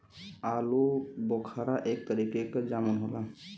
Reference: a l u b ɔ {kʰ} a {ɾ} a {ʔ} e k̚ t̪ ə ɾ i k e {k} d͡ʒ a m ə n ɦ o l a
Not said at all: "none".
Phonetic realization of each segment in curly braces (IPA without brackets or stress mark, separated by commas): kʰ, ɾ, ʔ, k